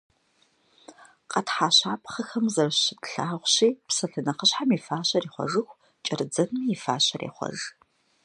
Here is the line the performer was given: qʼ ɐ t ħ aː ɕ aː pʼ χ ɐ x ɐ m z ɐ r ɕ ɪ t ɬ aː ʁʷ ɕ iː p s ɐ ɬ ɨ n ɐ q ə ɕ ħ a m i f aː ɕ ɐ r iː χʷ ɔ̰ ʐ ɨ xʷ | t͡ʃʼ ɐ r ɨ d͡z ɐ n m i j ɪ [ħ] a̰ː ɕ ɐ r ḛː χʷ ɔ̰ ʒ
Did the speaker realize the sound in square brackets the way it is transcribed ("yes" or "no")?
no